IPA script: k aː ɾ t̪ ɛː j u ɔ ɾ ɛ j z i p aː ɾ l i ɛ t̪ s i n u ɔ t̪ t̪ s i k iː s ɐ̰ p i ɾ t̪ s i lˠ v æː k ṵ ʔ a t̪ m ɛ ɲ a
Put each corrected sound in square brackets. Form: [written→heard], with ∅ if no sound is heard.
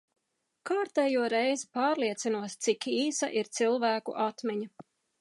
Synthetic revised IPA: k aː ɾ t̪ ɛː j u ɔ ɾ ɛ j z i p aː ɾ l i ɛ t̪ s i n u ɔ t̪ t̪ s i k iː s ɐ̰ [p→ʔ] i ɾ t̪ s i lˠ v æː k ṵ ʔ a t̪ m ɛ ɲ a

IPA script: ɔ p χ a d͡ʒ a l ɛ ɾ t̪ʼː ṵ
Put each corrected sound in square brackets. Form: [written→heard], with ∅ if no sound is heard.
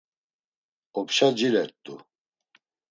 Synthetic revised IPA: ɔ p [χ→ʃ] a d͡ʒ [a→i] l ɛ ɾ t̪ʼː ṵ

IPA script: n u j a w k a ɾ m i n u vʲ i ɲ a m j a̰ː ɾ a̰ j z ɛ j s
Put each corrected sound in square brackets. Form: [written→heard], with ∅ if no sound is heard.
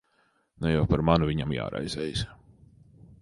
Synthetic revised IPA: n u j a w [k→p] a ɾ m [i→a] n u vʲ i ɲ a m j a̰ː ɾ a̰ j z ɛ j s

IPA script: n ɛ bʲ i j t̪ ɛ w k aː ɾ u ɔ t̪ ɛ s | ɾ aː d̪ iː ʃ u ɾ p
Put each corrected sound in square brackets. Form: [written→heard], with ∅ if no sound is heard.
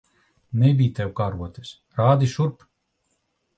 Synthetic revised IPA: n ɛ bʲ i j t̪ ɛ w k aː ɾ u ɔ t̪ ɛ s | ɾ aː d̪ [iː→i] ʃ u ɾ p

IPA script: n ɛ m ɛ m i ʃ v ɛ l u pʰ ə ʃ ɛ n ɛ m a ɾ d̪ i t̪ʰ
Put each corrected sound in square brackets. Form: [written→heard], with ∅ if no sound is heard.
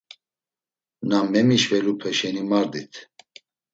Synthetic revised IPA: n [ɛ→a] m ɛ m i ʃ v ɛ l u pʰ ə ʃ ɛ n [ɛ→i] m a ɾ d̪ i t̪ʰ

